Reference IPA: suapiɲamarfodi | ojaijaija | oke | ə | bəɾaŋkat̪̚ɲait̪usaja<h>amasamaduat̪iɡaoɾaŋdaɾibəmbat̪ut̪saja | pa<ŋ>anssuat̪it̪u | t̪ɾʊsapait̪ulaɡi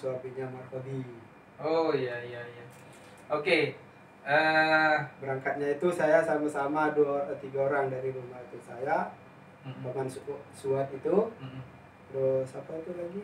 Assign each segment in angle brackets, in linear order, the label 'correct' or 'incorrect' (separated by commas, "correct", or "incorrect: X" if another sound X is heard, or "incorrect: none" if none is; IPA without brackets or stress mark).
incorrect: s, incorrect: m